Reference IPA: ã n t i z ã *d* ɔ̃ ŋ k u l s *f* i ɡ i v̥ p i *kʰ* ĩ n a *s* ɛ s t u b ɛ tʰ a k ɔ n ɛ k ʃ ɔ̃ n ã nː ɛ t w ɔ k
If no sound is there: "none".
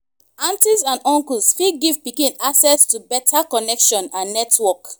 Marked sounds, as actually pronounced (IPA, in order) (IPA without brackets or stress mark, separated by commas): n, f, k, s